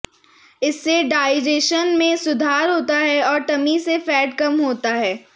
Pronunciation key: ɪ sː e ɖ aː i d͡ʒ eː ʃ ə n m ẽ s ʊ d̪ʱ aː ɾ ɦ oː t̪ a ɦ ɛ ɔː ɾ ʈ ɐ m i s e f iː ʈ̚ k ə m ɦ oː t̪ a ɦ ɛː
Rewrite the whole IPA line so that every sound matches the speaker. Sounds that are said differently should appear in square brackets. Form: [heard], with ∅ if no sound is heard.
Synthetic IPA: ɪ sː e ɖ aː [ɪ] d͡ʒ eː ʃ ə n m ẽ s ʊ d̪ʱ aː ɾ ɦ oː t̪ a ɦ ɛ ɔː ɾ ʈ ɐ m i s e f [ɛː] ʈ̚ k [ɐ] m ɦ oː t̪ a ɦ ɛː